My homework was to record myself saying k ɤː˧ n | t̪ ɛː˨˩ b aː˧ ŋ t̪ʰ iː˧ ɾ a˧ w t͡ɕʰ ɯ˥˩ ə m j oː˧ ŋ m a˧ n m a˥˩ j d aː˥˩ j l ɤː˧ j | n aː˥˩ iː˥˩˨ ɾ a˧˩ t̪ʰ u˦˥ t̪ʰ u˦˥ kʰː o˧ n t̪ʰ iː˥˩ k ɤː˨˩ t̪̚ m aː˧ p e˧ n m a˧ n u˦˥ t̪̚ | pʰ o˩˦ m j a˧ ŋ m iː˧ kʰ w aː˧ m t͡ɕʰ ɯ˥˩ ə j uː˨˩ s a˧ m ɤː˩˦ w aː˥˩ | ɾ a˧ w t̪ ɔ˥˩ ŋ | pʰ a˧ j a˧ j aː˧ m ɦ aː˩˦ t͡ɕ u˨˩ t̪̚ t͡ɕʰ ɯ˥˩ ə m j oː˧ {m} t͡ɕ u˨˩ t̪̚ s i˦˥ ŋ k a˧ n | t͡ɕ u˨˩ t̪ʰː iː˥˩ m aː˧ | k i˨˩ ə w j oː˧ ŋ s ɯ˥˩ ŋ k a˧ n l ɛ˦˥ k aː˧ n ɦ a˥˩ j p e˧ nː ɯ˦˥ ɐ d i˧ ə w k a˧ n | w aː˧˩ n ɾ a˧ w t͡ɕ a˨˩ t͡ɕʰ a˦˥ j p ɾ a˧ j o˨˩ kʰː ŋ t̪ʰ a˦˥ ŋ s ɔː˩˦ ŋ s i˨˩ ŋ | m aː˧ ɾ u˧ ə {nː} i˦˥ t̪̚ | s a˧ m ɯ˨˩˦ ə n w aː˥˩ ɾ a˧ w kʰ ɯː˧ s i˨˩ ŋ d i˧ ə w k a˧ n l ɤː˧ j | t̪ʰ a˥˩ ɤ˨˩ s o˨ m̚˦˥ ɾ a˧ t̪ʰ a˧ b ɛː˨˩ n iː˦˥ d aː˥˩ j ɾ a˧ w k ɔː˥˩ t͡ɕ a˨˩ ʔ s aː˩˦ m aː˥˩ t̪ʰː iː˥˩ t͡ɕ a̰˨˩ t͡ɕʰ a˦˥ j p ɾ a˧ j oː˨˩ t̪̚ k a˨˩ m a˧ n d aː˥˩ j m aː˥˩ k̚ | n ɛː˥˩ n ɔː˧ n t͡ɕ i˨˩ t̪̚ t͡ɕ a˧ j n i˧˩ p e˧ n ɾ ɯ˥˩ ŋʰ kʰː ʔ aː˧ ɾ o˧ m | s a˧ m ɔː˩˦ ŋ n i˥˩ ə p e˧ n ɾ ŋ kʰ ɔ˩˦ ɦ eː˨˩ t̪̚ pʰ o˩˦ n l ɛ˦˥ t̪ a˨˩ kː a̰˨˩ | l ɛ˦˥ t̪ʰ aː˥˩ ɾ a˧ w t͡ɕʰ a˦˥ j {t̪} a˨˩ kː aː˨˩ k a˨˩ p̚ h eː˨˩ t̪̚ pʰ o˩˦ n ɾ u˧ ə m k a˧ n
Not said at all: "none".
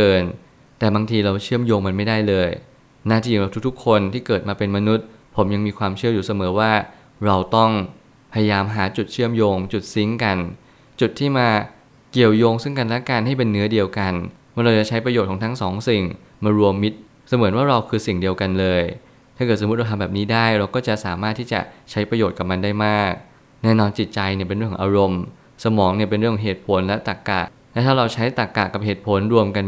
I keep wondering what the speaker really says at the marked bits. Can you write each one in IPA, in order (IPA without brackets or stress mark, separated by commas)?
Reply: ŋ, mː, t̪